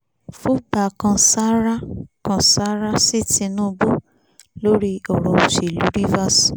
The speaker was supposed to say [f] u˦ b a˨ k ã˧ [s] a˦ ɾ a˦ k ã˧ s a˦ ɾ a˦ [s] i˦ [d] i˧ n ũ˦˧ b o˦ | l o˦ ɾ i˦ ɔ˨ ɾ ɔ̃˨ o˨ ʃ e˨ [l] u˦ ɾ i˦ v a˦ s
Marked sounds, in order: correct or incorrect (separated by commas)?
correct, correct, correct, incorrect, correct